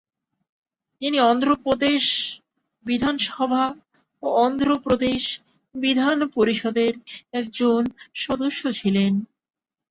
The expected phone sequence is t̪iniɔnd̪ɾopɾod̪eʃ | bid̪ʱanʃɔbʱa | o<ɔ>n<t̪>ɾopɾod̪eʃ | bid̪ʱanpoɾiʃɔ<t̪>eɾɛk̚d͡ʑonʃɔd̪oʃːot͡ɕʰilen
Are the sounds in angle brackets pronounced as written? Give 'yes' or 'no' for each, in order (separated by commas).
yes, no, no